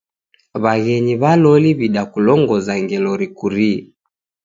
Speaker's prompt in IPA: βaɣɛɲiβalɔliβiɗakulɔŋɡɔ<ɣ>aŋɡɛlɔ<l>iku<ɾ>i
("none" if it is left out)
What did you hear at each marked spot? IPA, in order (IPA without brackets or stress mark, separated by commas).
z, ɾ, ɾ